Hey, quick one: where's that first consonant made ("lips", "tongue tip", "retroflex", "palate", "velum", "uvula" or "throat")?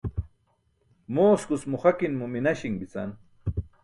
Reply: lips